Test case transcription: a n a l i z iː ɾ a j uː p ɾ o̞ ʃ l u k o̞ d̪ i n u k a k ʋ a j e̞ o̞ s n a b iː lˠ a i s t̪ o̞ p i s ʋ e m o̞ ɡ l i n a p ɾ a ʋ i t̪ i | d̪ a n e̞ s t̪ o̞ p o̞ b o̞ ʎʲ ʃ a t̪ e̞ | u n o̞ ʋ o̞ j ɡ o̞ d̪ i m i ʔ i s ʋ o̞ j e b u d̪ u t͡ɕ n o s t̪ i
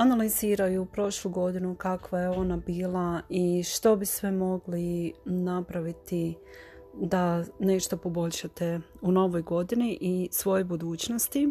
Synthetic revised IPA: a n a l i z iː ɾ a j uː p ɾ o̞ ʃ l u ɡ o̞ d̪ i n u k a k ʋ a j e̞ o̞ n a b iː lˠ a i ʃ t̪ o̞ b i s ʋ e m o̞ ɡ l i n a p ɾ a ʋ i t̪ i | d̪ a n e̞ ʃ t̪ o̞ p o̞ b o̞ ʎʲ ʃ a t̪ e̞ | u n o̞ ʋ o̞ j ɡ o̞ d̪ i n i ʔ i s ʋ o̞ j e b u d̪ uː t͡ɕ n o s t̪ i